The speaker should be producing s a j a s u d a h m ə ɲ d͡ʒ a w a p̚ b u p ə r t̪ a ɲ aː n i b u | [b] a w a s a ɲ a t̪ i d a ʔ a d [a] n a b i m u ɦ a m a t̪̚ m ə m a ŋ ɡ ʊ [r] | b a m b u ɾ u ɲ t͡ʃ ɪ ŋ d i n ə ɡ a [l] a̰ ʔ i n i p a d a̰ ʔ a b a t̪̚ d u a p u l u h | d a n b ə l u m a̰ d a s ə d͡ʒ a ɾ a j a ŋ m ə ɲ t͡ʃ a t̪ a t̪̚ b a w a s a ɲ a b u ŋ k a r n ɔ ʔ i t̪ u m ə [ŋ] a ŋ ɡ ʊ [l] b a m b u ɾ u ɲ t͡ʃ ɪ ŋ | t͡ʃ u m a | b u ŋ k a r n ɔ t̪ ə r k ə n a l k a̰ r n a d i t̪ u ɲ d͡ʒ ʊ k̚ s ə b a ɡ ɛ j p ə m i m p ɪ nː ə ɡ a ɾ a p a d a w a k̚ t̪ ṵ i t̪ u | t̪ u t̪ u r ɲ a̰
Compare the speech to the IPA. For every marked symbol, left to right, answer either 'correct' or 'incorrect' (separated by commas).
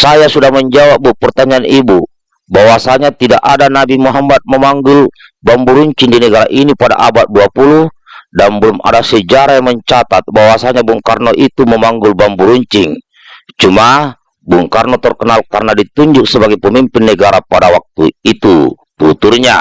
correct, correct, incorrect, incorrect, incorrect, correct